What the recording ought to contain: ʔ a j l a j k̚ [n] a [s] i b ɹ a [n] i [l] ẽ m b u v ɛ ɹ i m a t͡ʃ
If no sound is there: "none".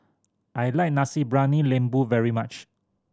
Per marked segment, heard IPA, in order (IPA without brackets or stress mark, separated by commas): n, s, n, l